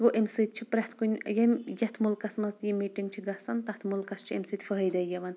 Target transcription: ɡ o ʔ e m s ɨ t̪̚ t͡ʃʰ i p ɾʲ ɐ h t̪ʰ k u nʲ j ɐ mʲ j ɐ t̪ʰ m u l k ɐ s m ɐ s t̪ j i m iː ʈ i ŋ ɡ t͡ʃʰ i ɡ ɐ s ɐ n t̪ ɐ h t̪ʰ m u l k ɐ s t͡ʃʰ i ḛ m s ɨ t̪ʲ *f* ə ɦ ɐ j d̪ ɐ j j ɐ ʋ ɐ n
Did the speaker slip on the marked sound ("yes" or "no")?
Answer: no